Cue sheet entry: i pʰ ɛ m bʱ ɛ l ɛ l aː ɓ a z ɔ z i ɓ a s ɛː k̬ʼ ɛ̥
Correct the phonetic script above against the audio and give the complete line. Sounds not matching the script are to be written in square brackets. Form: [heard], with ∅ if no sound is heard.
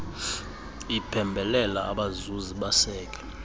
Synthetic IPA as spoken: i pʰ ɛ m bʱ ɛ l ɛ l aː ɓ a z [u] z i ɓ a s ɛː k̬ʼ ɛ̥